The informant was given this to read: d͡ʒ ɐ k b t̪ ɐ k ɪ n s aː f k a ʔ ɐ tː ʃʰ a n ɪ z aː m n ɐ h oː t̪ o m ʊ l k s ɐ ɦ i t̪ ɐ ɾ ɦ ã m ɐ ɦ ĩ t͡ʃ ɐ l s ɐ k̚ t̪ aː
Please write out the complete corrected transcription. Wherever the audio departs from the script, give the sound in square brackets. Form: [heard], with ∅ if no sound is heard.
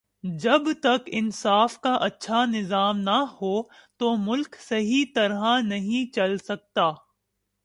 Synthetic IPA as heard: d͡ʒ ɐ [∅] b t̪ ɐ k ɪ n s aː f k a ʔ ɐ tː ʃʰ a n ɪ z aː m n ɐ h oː t̪ o m ʊ l k s ɐ ɦ i t̪ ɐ ɾ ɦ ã [n] ɐ ɦ ĩ t͡ʃ ɐ l s ɐ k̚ t̪ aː

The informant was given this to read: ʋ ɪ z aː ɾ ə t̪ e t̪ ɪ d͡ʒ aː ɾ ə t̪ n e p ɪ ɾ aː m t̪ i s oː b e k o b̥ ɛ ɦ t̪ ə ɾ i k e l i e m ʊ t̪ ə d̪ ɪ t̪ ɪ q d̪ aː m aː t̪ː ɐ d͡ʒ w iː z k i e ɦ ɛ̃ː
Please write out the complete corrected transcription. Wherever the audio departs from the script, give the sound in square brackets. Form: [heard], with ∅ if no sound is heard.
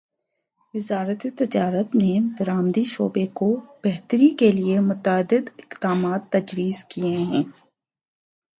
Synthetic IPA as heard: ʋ ɪ z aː ɾ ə t̪ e t̪ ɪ d͡ʒ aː ɾ ə t̪ n e [b] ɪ ɾ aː m [d̪] i [ʃ] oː b e k o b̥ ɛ ɦ t̪ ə ɾ i k e l i e m ʊ t̪ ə d̪ ɪ [d̪] ɪ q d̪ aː m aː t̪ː ɐ d͡ʒ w iː z k i e ɦ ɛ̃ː

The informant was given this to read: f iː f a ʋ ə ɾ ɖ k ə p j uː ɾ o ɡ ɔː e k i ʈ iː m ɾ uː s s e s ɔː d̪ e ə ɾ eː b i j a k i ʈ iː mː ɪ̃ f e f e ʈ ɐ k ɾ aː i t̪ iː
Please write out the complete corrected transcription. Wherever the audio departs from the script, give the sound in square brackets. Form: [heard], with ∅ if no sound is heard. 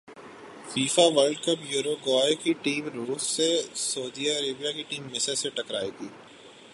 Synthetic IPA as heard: f iː f a ʋ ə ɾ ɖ k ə p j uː ɾ o ɡ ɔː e k i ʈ iː m ɾ uː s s e s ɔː d̪ [i] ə ɾ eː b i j a k i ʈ iː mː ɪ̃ [s] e [s] e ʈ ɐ k ɾ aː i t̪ iː

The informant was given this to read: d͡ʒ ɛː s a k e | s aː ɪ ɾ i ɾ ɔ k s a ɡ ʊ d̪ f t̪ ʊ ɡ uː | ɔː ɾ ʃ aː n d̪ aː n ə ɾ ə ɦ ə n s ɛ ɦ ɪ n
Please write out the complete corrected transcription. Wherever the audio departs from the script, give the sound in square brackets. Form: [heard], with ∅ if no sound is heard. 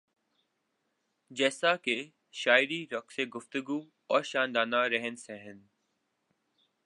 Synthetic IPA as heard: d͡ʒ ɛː s a k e | [ʃ] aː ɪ ɾ i ɾ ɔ k s [e] ɡ ʊ [∅] f t̪ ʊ ɡ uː | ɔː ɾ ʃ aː n d̪ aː n [a] ɾ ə ɦ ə n s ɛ ɦ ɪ n

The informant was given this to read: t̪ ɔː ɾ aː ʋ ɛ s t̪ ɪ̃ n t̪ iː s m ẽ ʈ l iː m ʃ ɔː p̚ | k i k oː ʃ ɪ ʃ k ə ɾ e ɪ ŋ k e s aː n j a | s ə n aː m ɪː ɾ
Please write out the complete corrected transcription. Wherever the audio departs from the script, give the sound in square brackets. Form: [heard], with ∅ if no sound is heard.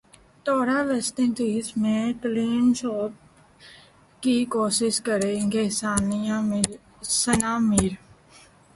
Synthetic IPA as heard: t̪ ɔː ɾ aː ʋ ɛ s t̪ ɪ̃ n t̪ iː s m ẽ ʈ l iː [n] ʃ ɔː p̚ | k i k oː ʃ ɪ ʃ k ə ɾ e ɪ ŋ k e s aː n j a | s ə n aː m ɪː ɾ

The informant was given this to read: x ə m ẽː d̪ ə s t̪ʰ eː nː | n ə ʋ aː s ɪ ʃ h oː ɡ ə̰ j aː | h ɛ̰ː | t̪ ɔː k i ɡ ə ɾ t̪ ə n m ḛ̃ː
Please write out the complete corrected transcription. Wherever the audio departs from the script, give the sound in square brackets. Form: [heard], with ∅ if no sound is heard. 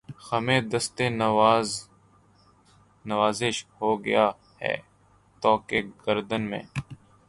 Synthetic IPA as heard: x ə m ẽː d̪ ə s [t̪] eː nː | n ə ʋ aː [z] ɪ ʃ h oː ɡ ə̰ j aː | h ɛ̰ː | t̪ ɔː k [e] ɡ ə ɾ [d̪] ə n m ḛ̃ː

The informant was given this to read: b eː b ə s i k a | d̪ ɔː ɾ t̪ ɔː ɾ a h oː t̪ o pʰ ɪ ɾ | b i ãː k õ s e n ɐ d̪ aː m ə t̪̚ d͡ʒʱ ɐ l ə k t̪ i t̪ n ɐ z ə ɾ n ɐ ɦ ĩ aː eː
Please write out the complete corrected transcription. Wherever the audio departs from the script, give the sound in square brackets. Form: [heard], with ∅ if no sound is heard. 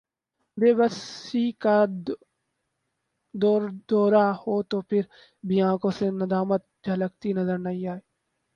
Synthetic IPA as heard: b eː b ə s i k a | d̪ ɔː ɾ [d̪] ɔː ɾ a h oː t̪ o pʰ ɪ ɾ | b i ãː k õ s e n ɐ d̪ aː m ə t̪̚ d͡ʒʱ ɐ l ə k t̪ i [∅] n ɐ z ə ɾ n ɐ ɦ ĩ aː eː

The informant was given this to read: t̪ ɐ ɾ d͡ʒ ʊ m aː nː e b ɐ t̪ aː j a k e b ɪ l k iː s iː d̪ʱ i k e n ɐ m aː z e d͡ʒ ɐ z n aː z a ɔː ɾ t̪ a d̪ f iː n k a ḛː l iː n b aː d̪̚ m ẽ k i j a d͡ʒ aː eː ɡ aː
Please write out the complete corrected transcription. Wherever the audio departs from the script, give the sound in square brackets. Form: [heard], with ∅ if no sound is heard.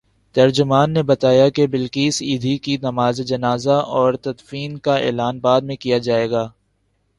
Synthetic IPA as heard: t̪ ɐ ɾ d͡ʒ ʊ m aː nː e b ɐ t̪ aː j a k e b ɪ l k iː s iː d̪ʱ i k [i] n ɐ m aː z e d͡ʒ ɐ [∅] n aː z a ɔː ɾ t̪ [ɐ] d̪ f iː n k a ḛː l [aː] n b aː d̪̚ m ẽ k i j a d͡ʒ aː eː ɡ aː

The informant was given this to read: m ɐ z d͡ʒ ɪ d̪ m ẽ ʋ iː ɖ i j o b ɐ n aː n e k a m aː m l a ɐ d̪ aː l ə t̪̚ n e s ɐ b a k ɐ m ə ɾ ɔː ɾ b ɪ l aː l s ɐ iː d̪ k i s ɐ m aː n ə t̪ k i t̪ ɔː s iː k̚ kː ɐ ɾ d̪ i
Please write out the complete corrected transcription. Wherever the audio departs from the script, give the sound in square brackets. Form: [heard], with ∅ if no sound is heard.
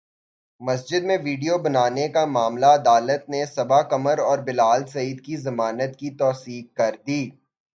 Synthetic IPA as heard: m ɐ [s] d͡ʒ ɪ d̪ m ẽ ʋ iː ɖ i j o b ɐ n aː n e k a m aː m l a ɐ d̪ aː l ə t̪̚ n e s ɐ b a k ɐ m ə ɾ ɔː ɾ b ɪ l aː l s ɐ iː d̪ k i [z] ɐ m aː n ə t̪ k i t̪ ɔː s iː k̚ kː ɐ ɾ d̪ [iː]

